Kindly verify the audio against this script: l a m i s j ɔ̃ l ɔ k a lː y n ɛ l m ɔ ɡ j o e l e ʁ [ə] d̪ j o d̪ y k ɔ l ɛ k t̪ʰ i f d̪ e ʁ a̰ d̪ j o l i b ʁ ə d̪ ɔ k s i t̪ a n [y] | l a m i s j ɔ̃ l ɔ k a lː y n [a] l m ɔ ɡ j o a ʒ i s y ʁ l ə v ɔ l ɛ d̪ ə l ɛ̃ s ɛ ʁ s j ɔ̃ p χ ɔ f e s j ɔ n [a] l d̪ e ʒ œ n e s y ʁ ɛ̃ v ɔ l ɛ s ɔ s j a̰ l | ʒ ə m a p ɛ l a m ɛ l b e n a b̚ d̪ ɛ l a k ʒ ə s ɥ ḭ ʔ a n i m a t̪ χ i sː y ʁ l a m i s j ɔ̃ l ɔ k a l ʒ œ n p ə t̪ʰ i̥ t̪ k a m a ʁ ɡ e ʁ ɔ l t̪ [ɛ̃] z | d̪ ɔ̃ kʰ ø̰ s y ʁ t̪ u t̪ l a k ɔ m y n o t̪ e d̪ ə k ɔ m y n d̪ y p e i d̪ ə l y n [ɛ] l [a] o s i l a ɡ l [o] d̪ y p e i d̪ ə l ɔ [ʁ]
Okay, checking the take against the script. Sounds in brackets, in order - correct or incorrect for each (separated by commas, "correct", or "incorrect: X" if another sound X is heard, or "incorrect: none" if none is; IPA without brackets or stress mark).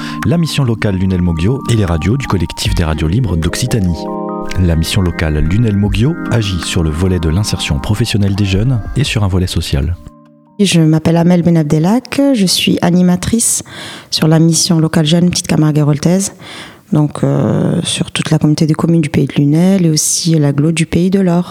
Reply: incorrect: a, incorrect: i, incorrect: ɛ, incorrect: ɛ, incorrect: ɛ, correct, incorrect: e, correct, correct